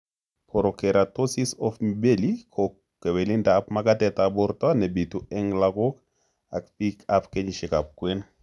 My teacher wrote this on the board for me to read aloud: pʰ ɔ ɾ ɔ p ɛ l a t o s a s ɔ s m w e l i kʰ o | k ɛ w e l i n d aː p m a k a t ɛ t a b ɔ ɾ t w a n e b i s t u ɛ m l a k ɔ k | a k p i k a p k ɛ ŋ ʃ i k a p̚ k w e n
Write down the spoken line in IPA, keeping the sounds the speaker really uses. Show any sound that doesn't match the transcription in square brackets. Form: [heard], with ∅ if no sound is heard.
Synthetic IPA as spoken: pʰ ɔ ɾ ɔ [k] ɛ [ɾ] a t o s [i] s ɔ [f] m [b] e l i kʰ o | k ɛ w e l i n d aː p m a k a t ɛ t a b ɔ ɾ t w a n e b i [∅] t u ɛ [ŋ] l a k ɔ k | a k p i k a p k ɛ [ɲ] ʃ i k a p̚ k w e n

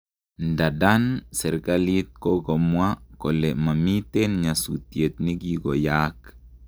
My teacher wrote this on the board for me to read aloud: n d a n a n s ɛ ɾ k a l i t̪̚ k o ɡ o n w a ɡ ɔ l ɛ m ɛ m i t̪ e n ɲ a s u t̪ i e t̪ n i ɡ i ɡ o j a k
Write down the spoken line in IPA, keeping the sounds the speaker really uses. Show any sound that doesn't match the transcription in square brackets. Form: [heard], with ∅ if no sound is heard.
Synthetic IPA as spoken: n d a [d] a n s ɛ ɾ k a l i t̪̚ k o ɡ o [m] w a [k] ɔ l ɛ m [a] m i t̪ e n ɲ a s u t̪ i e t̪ n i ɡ i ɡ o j a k

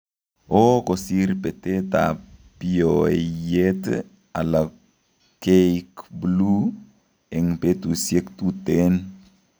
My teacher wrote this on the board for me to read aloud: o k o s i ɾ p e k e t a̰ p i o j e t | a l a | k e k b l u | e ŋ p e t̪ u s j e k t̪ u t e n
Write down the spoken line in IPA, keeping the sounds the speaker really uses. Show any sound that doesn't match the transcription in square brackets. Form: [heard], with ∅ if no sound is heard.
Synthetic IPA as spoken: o k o s i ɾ p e [t] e t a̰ p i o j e t | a l a | k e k b l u | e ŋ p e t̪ u s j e k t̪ u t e n

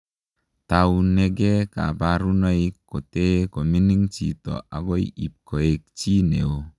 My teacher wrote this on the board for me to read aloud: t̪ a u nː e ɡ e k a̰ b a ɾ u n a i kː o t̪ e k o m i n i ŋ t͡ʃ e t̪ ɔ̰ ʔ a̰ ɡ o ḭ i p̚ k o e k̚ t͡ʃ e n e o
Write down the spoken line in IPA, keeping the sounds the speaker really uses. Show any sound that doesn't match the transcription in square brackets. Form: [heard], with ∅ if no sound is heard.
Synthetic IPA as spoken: t̪ a u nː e ɡ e k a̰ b a ɾ u n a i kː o t̪ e k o m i n i ŋ t͡ʃ [i] t̪ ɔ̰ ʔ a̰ ɡ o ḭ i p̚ k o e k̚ t͡ʃ [i] n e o

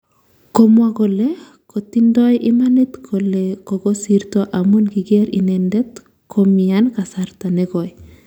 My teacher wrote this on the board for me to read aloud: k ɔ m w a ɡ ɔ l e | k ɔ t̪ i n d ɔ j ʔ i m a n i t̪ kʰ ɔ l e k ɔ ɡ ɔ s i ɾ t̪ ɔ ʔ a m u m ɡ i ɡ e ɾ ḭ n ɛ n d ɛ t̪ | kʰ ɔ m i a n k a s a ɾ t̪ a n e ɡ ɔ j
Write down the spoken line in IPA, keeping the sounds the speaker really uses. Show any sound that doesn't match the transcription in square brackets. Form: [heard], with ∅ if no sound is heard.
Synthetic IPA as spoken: k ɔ m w a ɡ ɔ l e | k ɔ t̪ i n d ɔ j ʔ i m a n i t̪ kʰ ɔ l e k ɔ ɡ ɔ s i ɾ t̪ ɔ ʔ a m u [n] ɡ i ɡ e ɾ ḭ n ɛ n d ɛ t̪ | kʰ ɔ m i a n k a s a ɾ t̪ a n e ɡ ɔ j

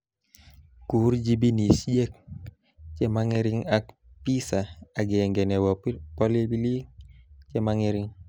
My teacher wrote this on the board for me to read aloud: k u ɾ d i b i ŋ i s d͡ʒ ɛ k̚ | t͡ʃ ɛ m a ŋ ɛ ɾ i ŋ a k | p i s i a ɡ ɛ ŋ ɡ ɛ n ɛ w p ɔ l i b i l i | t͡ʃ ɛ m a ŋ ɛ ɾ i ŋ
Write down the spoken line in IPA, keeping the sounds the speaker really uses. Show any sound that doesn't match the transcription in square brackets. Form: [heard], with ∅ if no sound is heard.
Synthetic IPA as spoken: k u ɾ [d͡ʒ] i b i [n] i s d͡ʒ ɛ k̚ | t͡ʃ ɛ m a ŋ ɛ ɾ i ŋ a k | p i s [a] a ɡ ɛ ŋ ɡ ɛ n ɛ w p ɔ l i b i l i | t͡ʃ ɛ m a ŋ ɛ ɾ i ŋ

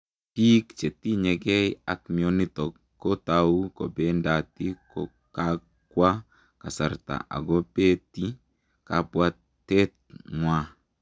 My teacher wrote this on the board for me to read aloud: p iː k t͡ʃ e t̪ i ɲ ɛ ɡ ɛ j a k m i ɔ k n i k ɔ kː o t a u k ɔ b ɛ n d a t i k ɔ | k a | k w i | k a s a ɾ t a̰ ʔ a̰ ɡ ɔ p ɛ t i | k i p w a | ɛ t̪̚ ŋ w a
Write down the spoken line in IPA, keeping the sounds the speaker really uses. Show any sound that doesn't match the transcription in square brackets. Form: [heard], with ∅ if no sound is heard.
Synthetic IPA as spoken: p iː k t͡ʃ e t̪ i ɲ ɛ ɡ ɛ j a k m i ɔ [∅] n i [t] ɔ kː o t a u k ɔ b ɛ n d a t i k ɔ | k a | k w [a] | k a s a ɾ t a̰ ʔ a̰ ɡ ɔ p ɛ t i | k [a] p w a | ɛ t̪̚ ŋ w a

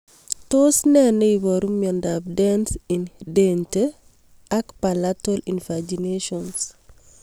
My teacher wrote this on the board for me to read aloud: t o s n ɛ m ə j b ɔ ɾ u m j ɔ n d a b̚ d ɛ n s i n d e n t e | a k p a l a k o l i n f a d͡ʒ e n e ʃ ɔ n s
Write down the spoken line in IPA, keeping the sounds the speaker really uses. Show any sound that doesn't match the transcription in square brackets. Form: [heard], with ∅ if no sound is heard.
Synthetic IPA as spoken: t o s n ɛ [n] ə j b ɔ ɾ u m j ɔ n d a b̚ d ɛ n s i n d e n t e | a k p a l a [t] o l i n f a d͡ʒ [i] n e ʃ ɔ n s

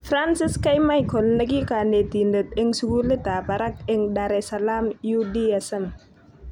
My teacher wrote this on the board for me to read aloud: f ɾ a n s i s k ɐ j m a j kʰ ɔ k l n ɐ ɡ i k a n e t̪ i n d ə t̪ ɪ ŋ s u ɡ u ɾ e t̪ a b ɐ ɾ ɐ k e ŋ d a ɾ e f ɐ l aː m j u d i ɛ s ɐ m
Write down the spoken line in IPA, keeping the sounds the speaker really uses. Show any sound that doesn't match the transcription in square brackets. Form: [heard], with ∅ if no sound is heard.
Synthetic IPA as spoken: f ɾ a n s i s k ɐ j m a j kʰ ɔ [∅] l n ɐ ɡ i k a n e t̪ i n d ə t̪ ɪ ŋ s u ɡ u [l] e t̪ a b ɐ ɾ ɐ k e ŋ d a ɾ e [s] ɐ l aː m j u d i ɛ s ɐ m

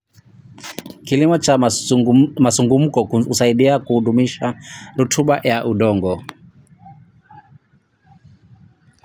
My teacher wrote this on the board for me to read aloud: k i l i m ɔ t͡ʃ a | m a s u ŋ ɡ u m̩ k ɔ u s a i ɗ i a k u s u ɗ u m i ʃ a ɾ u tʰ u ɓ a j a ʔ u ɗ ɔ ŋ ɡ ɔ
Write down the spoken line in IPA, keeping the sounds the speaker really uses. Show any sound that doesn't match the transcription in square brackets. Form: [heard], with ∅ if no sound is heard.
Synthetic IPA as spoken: k i l i m ɔ t͡ʃ a | m a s u ŋ ɡ u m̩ k ɔ u s a i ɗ i a k u [h] u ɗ u m i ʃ a ɾ u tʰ u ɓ a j a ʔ u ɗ ɔ ŋ ɡ ɔ

